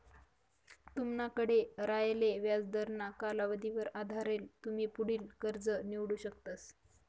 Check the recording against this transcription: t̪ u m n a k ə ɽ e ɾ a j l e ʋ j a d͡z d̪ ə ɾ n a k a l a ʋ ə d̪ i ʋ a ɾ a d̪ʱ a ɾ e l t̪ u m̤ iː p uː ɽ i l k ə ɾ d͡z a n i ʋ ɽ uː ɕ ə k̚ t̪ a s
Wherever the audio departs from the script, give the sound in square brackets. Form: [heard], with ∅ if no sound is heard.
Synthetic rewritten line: t̪ u m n a k ə ɽ e ɾ a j l e ʋ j a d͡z d̪ ə ɾ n a k a l a ʋ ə d̪ i ʋ [ə] ɾ a d̪ʱ a ɾ e l t̪ u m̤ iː p [u] ɽ [iː] l k ə ɾ d͡z [ə] n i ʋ ɽ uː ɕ ə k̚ t̪ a s